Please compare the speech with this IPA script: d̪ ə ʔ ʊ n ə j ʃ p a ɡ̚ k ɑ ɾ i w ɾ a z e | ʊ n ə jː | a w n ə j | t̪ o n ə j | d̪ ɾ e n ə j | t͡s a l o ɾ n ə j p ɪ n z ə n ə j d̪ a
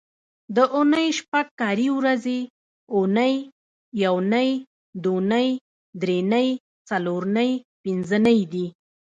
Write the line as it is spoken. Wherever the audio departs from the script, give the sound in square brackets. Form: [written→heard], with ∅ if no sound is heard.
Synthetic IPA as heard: d̪ ə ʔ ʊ n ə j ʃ p a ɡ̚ k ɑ ɾ i w ɾ a z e | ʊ n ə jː | a w n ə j | [t̪→d̪] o n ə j | d̪ ɾ e n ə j | t͡s a l o ɾ n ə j p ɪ n z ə n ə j d̪ [a→i]